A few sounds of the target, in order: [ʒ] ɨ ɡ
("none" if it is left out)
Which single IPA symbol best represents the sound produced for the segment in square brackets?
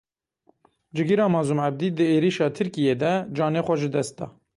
d͡ʒ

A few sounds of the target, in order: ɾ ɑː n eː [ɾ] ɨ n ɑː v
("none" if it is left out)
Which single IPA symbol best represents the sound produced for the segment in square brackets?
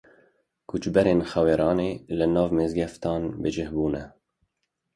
l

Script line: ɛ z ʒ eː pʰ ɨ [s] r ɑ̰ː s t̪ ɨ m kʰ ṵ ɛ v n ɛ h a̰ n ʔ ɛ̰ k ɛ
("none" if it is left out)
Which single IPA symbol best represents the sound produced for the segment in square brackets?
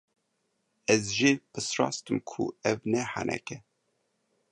s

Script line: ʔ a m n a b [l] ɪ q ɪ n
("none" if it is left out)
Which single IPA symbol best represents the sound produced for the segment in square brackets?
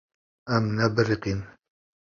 ɾ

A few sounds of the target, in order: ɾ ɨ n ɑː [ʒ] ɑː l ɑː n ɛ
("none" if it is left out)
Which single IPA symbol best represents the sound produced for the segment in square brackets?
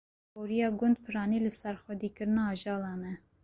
ʒ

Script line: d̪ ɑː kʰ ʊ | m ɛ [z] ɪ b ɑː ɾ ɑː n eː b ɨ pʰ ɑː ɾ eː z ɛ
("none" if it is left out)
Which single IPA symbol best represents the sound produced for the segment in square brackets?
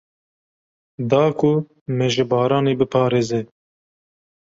ʒ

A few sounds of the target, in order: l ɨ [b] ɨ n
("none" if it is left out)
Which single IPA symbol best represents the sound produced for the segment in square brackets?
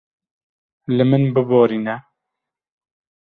m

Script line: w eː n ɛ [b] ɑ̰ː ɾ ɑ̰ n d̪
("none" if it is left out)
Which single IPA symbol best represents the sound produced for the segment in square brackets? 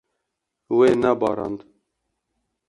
b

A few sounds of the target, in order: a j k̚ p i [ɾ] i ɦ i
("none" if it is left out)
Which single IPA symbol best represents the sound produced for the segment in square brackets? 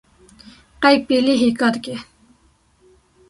l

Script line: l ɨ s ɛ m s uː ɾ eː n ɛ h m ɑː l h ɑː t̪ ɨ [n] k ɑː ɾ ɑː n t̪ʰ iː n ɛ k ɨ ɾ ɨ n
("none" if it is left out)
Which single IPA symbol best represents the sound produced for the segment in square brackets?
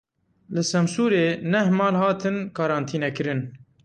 n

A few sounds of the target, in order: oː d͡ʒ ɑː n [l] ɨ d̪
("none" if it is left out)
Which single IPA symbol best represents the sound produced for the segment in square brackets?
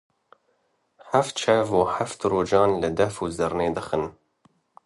l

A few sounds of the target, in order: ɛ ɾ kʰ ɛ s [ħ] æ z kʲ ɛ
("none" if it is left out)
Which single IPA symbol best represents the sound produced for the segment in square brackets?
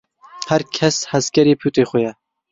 h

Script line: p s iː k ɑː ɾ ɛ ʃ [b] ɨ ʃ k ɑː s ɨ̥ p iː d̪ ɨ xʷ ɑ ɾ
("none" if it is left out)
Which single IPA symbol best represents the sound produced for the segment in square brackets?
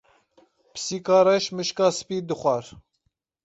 m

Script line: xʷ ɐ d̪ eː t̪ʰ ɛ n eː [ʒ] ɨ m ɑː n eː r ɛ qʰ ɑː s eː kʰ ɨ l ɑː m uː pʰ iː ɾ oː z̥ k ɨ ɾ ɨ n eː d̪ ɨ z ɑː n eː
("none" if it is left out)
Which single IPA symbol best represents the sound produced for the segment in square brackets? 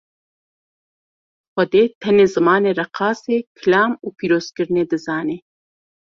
z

